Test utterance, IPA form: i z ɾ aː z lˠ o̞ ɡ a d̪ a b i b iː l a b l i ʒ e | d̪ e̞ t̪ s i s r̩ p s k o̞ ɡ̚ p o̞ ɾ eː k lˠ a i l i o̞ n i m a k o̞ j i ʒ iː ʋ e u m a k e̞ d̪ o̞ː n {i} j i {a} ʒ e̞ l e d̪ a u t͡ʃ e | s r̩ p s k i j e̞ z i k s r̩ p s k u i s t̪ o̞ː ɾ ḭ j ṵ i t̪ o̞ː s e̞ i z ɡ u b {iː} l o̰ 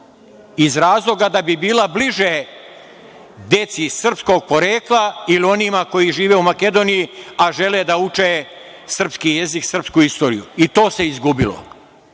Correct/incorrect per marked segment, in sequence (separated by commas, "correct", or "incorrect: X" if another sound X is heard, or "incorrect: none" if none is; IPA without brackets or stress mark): correct, correct, incorrect: i